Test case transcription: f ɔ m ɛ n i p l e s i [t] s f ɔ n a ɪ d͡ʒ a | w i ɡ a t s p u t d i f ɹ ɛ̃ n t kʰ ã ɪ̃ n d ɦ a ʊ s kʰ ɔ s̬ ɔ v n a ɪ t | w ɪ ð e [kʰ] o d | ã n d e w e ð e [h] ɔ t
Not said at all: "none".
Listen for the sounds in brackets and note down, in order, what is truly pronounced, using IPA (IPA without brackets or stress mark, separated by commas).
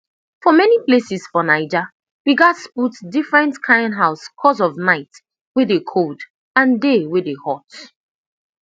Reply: none, kʰ, h